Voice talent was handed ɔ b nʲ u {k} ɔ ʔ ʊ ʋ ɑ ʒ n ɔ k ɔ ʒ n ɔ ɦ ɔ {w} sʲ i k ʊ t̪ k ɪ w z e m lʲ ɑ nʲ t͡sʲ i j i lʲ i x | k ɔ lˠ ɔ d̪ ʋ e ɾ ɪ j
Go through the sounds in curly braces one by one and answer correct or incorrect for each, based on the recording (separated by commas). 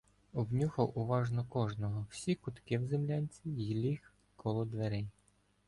incorrect, correct